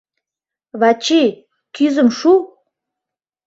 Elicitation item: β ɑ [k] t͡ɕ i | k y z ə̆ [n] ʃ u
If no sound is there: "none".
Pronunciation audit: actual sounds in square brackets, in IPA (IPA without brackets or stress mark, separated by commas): none, m